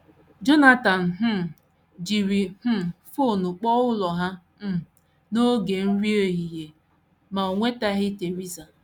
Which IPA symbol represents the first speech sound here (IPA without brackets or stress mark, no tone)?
d͡ʒ